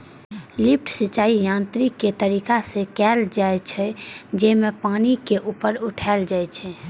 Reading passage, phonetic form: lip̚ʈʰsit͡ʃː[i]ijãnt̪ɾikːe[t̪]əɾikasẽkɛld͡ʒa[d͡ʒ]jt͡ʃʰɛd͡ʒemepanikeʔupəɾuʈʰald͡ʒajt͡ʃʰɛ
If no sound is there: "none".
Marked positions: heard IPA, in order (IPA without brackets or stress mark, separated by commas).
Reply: a, t̪, none